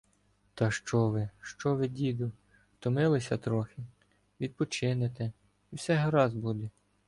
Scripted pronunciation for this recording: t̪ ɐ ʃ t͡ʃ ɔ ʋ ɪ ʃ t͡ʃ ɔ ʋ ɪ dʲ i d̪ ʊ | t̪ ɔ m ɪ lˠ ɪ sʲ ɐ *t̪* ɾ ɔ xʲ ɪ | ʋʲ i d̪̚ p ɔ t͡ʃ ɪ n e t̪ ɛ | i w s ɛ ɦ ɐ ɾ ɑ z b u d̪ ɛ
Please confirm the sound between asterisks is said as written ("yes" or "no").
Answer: yes